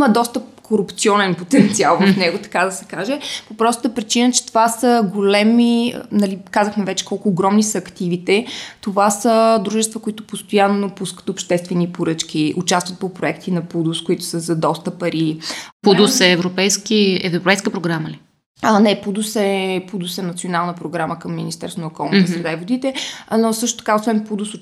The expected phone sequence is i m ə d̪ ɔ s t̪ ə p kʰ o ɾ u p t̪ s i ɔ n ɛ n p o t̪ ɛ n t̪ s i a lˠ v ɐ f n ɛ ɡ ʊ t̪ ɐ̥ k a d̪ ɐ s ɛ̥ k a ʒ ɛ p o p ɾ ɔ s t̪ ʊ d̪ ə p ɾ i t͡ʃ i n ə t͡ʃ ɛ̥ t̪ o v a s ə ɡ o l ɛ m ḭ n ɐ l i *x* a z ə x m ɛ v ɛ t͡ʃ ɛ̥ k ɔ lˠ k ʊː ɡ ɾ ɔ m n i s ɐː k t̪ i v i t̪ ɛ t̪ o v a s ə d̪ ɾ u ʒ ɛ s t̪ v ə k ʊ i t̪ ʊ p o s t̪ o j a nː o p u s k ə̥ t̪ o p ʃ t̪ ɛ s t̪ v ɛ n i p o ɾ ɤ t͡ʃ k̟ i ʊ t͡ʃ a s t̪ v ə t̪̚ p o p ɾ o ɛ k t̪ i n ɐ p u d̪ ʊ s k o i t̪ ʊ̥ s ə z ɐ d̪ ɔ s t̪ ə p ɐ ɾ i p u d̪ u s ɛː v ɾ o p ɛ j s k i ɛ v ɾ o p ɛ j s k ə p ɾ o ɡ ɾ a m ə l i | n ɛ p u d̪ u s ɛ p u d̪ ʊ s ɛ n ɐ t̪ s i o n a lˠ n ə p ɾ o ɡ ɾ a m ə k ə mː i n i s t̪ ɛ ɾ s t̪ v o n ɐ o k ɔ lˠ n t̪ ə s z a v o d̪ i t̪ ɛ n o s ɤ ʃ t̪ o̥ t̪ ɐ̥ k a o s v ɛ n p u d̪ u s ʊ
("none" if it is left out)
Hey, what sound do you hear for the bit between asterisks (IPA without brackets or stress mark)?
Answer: k